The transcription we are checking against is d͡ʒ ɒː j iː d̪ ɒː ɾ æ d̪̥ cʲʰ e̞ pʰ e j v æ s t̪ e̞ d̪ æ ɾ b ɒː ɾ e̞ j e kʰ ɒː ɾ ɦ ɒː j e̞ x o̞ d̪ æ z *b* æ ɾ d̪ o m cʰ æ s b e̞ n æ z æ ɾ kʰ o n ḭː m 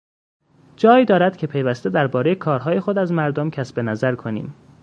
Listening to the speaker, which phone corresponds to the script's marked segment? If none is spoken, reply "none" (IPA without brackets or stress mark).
m